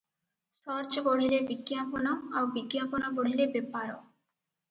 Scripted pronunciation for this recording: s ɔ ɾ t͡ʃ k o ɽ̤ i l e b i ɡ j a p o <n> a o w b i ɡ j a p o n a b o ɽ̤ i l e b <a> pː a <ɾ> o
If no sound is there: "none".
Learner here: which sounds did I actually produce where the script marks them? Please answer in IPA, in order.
n, e, ɾ

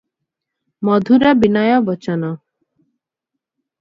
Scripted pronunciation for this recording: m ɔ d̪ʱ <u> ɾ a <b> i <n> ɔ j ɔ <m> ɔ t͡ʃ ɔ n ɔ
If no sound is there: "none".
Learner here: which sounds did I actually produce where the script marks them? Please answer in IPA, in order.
u, b, n, b

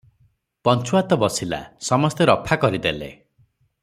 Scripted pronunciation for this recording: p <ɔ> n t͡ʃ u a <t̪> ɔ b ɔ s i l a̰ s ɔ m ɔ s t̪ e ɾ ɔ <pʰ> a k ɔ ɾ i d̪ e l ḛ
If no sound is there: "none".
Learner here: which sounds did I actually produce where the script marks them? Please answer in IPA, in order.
ɔ, t̪, pʰ

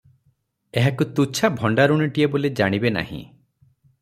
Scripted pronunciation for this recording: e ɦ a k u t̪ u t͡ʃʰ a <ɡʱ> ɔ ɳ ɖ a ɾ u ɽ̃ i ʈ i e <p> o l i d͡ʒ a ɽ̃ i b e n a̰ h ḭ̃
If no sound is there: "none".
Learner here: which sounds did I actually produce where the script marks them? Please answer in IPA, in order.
bʱ, b

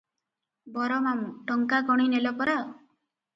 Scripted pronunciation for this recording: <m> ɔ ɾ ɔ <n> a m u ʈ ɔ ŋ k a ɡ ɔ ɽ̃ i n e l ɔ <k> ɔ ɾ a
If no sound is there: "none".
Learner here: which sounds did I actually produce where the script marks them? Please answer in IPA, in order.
b, m, p

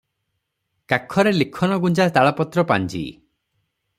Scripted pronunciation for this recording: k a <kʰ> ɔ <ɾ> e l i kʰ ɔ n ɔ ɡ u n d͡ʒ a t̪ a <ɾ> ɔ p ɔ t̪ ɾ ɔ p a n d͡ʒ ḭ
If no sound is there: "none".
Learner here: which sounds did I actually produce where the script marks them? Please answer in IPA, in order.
kʰ, ɾ, ɭ

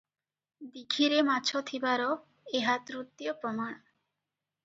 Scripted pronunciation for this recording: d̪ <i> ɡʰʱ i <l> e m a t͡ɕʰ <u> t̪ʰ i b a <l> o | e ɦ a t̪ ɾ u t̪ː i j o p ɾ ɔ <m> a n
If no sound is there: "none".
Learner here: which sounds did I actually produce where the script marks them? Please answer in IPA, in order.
i, ɾ, o, ɾ, m

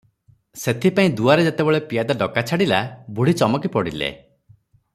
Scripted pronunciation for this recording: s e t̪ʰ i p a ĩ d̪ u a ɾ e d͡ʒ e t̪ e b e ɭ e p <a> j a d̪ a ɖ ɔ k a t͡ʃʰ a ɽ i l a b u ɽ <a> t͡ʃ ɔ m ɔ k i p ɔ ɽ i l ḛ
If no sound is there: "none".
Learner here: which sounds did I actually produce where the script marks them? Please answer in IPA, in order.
i, i

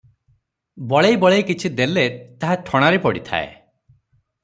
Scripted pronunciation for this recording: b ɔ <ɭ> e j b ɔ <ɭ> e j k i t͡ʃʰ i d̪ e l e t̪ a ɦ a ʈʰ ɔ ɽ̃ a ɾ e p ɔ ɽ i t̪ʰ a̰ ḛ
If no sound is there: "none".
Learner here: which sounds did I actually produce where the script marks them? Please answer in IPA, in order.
ɭ, ɭ

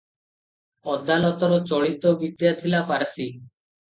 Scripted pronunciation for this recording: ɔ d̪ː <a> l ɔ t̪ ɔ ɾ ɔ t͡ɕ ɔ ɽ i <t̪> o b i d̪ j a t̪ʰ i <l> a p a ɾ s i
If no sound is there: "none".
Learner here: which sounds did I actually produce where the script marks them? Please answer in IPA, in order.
a, t̪, l

